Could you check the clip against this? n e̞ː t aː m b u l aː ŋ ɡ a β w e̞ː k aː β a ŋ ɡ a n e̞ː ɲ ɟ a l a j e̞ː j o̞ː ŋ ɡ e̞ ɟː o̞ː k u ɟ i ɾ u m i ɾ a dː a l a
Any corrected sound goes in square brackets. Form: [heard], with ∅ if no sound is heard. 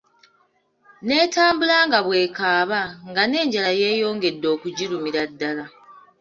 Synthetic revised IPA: n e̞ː t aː m b u l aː ŋ ɡ a β w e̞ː k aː β a ŋ ɡ a n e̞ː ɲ ɟ a l a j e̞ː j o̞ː ŋ ɡ e̞ [dː] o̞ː k u ɟ i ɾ u m i ɾ a dː a l a